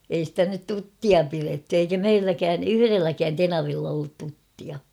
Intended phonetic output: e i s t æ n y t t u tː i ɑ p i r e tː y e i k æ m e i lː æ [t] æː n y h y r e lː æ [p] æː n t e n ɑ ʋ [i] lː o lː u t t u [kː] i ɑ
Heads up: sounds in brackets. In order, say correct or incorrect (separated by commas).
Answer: incorrect, incorrect, correct, incorrect